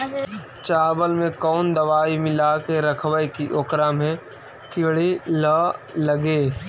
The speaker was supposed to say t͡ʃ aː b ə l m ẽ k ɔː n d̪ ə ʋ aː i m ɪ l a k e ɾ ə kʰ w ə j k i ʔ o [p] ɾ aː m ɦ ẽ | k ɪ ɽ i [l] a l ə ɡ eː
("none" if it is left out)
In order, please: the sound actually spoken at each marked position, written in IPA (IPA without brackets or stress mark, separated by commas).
k, l